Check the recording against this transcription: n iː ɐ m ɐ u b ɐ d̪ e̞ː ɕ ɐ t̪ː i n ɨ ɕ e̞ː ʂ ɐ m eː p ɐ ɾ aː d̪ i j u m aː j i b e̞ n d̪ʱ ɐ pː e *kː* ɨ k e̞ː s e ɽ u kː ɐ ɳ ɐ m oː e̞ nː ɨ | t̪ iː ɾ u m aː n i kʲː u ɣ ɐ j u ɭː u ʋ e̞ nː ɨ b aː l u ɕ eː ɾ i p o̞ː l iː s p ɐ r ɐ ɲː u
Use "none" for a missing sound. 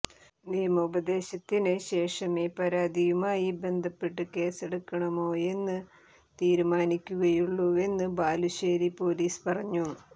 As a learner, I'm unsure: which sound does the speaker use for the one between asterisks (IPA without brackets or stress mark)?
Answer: ʈː